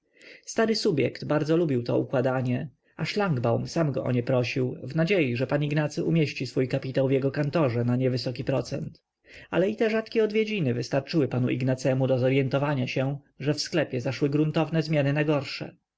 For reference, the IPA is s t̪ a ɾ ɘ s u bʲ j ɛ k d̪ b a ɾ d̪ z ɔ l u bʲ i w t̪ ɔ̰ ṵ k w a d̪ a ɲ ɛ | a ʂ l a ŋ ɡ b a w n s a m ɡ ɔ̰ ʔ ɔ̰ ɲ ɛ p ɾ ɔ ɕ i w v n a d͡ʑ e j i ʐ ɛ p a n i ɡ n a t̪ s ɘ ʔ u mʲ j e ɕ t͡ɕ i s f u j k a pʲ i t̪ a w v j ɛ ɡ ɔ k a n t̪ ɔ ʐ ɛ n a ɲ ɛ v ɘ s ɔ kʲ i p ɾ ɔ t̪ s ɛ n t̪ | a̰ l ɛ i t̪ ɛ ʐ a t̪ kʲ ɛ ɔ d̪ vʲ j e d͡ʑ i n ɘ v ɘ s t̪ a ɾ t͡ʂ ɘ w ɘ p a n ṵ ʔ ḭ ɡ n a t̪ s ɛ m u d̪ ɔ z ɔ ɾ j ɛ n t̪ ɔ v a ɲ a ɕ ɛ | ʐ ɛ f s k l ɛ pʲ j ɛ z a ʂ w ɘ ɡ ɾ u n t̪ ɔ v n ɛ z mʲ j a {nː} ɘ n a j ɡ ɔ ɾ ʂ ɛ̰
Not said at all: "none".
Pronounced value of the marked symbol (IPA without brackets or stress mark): n